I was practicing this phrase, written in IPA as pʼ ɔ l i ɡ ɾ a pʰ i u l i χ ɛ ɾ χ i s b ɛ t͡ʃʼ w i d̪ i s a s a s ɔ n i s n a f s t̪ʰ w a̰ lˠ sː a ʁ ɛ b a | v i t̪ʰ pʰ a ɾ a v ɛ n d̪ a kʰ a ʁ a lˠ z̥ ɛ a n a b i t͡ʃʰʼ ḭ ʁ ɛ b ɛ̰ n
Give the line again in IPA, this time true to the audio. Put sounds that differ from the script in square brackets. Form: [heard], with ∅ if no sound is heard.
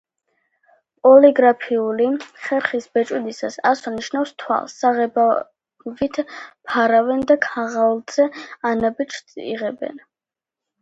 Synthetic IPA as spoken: pʼ ɔ l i ɡ ɾ a pʰ i u l i χ ɛ ɾ χ i s b ɛ t͡ʃʼ w i d̪ i s a s a s ɔ n i [ʃ] n a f s t̪ʰ w a̰ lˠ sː a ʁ ɛ b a | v i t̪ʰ pʰ a ɾ a v ɛ n d̪ a kʰ a ʁ a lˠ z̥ ɛ a n a b i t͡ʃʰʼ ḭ ʁ ɛ b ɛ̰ n